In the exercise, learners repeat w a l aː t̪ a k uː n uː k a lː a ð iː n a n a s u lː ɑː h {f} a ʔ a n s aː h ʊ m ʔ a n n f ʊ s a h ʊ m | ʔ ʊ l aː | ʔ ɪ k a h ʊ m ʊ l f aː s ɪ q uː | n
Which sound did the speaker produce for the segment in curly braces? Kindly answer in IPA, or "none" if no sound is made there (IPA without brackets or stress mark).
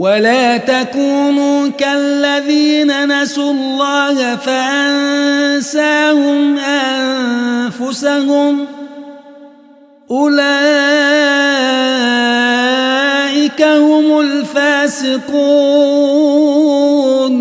f